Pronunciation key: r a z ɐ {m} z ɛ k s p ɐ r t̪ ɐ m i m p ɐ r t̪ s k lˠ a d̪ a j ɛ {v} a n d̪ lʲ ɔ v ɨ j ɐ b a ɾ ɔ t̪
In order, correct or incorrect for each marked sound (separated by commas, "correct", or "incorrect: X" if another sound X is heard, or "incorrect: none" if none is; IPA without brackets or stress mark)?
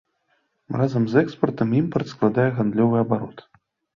correct, incorrect: ɣ